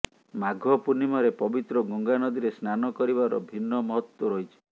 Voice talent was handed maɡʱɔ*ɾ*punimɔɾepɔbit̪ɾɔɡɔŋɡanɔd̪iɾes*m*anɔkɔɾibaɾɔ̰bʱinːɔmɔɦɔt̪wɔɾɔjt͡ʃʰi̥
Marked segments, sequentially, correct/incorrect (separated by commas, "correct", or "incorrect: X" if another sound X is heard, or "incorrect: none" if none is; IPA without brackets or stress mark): incorrect: none, incorrect: n